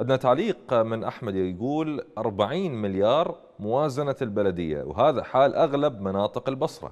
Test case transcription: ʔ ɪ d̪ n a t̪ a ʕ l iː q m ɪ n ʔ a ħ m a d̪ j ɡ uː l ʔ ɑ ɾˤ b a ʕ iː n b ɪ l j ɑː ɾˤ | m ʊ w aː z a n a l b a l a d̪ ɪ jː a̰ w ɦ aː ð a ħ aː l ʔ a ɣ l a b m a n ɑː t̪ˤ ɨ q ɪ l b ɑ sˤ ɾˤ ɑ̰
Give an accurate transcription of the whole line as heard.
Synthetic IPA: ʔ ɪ d̪ n a t̪ a ʕ l iː q m ɪ n ʔ a ħ m a d̪ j ɡ uː l ʔ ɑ ɾˤ b a ʕ iː n m ɪ l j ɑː ɾˤ | m ʊ w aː z a n a l b a l a d̪ ɪ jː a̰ w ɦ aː ð a ħ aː l ʔ a ɣ l a b m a n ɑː t̪ˤ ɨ q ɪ l b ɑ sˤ ɾˤ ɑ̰